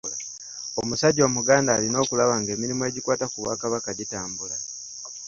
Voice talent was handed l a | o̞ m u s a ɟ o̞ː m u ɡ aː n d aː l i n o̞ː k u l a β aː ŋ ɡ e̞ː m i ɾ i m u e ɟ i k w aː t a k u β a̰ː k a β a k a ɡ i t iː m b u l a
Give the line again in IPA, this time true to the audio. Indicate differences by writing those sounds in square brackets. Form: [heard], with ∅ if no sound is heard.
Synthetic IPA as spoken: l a | o̞ m u s a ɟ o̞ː m u ɡ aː n d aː l i n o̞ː k u l a β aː ŋ ɡ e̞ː m i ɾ i m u e ɟ i k w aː t a k u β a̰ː k a β a k a [ɟ] i t [aː] m b u l a